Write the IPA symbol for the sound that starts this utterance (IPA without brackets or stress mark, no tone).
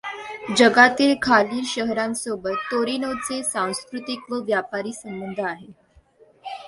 d͡ʑ